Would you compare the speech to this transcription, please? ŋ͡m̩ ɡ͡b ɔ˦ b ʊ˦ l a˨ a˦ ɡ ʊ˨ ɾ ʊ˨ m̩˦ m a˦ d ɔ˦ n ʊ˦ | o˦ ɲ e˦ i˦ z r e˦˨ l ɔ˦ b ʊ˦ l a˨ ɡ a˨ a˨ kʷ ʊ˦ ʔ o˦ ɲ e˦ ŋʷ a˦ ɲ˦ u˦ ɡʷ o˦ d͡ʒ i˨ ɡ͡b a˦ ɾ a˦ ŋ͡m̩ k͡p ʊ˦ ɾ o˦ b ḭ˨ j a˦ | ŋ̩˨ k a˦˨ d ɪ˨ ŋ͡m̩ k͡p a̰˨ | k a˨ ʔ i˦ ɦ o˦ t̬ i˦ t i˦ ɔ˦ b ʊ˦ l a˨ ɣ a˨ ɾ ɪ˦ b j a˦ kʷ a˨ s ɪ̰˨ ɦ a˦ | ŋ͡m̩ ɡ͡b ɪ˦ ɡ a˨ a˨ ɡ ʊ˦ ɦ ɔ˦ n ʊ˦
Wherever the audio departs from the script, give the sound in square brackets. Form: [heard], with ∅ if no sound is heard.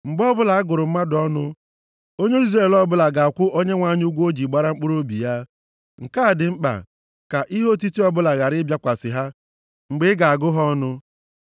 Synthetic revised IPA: ŋ͡m̩ ɡ͡b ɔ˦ b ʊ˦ l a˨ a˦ ɡ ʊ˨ ɾ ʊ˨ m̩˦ m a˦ d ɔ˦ n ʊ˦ | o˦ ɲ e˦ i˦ z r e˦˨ l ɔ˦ b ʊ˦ l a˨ ɡ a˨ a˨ kʷ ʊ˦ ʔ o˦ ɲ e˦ ŋʷ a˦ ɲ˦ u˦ ɡʷ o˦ d͡ʒ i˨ ɡ͡b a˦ ɾ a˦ ŋ͡m̩ k͡p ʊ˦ ɾ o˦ b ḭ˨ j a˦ | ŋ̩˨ k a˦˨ d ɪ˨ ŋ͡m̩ k͡p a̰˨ | k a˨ ʔ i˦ ɦ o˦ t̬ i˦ t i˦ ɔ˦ b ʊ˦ l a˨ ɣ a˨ ɾ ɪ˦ b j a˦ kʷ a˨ s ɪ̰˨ ɦ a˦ | ŋ͡m̩ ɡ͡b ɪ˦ ɡ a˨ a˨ ɡ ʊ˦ ɦ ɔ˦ n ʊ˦